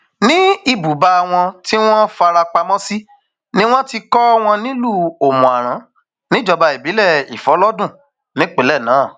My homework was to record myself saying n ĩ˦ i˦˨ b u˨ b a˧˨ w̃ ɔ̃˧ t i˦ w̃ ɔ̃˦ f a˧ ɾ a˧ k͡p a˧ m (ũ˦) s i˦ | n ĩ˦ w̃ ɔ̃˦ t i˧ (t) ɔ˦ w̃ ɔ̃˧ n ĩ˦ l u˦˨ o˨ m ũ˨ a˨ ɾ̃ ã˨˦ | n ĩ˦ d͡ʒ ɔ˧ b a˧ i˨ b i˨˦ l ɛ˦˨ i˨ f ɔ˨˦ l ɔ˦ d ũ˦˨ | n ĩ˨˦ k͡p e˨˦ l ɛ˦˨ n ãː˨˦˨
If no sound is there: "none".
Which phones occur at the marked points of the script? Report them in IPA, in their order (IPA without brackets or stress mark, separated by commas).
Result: ɔ̃˦, k